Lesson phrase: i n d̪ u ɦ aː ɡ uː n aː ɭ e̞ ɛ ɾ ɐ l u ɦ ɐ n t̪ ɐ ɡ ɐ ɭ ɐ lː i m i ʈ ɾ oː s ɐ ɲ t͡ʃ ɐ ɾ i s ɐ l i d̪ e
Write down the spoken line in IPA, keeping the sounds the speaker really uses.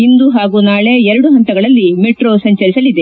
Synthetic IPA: i n d̪ u ɦ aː ɡ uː n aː ɭ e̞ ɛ ɾ ɐ ɽ u ɦ ɐ n t̪ ɐ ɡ ɐ ɭ ɐ lː i m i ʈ ɾ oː s ɐ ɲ t͡ʃ ɐ ɾ i s ɐ l i d̪ e